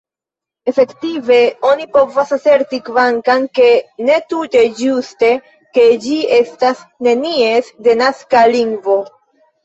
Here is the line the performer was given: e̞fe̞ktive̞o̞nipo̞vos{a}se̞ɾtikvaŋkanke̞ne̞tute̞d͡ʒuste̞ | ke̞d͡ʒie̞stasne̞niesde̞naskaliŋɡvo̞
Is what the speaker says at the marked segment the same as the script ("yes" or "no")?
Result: yes